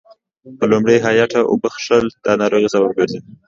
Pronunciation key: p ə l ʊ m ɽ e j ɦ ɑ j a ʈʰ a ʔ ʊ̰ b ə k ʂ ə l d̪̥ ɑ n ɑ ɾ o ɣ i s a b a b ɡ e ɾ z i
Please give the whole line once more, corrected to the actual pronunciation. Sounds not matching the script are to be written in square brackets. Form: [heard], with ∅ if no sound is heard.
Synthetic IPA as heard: p ə l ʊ m ɽ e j ɦ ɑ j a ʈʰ a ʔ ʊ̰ b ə [x] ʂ ə l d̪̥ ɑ n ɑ ɾ o ɣ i s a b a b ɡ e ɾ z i